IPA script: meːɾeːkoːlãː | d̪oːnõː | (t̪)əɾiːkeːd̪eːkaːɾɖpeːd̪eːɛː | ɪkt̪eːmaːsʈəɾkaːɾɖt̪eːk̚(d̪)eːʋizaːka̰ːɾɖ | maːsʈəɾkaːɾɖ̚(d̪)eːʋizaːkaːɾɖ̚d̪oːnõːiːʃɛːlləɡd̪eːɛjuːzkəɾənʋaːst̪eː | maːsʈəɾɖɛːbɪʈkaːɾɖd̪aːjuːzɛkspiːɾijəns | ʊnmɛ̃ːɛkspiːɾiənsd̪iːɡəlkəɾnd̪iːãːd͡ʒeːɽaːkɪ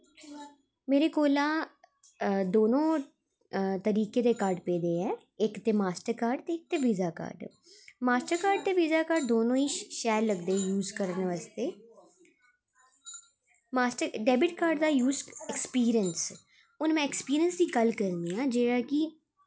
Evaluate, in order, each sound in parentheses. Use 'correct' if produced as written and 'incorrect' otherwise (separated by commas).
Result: correct, incorrect, incorrect